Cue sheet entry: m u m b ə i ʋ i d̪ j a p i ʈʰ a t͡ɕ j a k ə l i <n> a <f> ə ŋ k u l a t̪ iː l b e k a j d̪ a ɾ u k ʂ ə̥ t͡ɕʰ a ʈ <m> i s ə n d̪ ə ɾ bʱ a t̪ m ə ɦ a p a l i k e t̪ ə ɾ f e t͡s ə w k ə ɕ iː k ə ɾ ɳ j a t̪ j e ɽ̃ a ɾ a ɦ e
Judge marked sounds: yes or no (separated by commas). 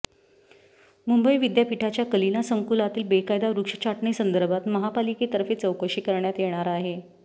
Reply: yes, no, no